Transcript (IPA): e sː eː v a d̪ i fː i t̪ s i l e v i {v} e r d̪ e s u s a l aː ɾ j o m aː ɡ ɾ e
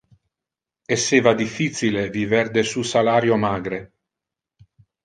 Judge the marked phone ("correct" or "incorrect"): correct